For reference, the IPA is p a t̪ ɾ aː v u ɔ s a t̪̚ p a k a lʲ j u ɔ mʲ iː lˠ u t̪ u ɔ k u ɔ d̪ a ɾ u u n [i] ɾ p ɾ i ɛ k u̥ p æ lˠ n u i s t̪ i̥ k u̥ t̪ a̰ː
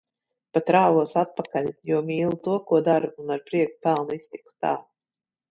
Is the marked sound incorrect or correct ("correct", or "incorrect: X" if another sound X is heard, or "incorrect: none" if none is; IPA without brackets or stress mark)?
incorrect: a